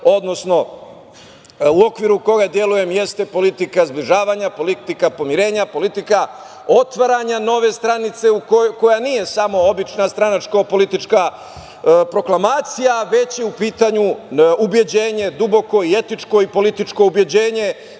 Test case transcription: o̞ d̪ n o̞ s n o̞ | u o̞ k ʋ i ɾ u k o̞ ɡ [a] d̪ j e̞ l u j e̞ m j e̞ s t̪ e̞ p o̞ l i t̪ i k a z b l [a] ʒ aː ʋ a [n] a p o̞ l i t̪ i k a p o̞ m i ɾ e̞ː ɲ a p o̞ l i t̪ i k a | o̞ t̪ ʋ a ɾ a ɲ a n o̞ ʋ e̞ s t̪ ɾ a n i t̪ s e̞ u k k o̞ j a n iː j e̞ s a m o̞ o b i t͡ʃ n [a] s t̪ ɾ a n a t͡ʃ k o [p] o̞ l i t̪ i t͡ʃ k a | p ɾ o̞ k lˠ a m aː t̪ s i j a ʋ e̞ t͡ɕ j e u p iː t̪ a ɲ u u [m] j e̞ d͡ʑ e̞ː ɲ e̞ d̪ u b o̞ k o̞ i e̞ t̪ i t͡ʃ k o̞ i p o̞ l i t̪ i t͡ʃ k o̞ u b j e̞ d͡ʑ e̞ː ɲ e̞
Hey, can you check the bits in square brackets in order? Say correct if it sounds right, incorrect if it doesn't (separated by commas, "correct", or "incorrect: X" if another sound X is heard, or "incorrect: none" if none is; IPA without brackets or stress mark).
correct, incorrect: i, incorrect: ɲ, correct, correct, incorrect: b